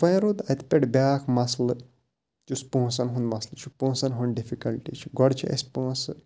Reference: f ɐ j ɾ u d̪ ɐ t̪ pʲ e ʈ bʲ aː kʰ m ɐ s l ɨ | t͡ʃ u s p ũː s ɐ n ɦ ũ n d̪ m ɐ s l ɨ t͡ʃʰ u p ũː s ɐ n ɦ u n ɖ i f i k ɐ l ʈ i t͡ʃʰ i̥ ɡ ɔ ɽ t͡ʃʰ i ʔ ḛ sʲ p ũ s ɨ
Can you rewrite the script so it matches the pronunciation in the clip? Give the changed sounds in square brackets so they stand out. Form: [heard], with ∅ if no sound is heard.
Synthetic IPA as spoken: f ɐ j ɾ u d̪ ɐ t̪ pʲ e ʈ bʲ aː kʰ m ɐ s l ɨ | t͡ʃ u s p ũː s ɐ n ɦ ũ n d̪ m ɐ s l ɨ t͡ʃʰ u p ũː s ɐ n ɦ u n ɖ i f i k ɐ l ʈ i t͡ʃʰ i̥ ɡ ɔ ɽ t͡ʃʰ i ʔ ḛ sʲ p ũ s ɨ